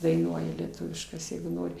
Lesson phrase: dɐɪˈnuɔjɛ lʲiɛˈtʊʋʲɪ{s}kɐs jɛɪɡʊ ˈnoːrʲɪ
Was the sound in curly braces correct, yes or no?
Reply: no